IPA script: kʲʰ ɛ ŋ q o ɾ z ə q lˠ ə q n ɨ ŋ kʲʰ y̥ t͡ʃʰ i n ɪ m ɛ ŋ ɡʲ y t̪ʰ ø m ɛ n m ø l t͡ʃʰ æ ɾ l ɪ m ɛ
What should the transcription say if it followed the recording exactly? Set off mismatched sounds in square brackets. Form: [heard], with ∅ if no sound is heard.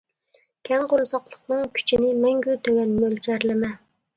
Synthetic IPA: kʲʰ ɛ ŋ q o ɾ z [ɑ] q lˠ ə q n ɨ ŋ kʲʰ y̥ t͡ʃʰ i n ɪ m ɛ ŋ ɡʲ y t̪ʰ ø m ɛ n m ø l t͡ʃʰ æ ɾ l ɪ m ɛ